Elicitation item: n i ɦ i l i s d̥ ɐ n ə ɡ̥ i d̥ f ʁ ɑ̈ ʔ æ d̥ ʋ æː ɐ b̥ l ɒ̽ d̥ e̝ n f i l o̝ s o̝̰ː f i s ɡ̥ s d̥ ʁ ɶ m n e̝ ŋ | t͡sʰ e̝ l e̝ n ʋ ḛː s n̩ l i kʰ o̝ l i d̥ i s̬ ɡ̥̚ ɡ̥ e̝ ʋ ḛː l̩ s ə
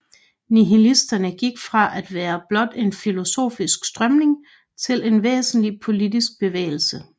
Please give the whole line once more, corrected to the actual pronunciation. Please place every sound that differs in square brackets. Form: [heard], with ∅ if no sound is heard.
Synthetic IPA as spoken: n i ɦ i l i s d̥ ɐ n ə ɡ̥ i [ɡ̥] f ʁ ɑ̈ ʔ æ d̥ ʋ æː ɐ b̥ l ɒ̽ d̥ e̝ n f i l o̝ s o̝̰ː f i s ɡ̥ s d̥ ʁ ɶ m n e̝ ŋ | t͡sʰ e̝ l e̝ n ʋ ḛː s n̩ l i [pʰ] o̝ l i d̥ i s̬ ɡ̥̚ [b̥] e̝ ʋ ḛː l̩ s ə